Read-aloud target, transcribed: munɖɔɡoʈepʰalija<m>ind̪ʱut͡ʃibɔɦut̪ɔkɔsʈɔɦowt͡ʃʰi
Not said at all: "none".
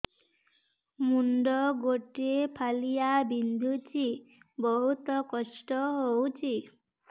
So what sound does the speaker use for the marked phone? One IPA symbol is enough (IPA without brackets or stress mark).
b